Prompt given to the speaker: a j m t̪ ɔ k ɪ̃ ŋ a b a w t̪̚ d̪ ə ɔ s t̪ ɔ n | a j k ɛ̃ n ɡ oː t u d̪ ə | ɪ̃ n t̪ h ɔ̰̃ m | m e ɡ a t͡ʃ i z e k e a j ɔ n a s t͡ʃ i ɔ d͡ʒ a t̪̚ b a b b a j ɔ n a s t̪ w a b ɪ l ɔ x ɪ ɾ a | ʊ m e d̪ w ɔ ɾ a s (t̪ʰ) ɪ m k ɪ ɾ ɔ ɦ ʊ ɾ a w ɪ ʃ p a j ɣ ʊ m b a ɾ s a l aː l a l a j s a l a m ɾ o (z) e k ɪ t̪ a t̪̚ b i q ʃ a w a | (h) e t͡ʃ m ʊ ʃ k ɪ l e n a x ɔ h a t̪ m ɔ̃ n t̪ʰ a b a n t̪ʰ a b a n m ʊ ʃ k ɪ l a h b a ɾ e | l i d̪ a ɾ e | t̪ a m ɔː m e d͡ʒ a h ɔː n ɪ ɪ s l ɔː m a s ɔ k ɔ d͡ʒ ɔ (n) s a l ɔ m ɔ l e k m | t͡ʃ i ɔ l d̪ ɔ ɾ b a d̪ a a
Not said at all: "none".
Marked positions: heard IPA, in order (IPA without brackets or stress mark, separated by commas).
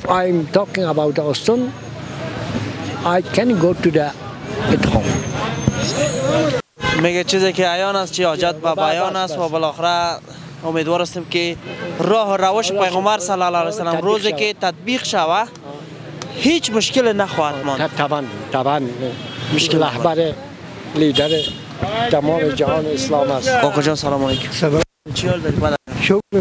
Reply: t̪, z, h, n